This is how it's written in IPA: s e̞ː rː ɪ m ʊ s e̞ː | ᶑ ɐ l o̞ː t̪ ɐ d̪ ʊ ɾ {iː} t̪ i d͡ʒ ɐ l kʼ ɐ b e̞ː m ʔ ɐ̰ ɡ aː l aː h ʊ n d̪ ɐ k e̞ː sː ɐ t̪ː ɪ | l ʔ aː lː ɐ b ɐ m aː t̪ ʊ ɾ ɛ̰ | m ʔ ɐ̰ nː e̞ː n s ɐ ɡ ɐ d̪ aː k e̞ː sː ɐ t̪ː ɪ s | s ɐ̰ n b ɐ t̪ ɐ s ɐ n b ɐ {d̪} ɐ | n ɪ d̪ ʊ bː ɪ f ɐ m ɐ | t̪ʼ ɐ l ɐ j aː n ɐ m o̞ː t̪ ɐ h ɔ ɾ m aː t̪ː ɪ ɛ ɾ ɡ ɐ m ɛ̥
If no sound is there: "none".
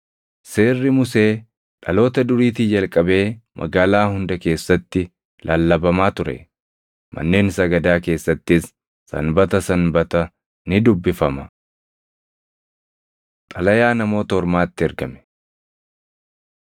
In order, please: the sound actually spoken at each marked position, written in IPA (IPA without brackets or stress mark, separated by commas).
iː, t̪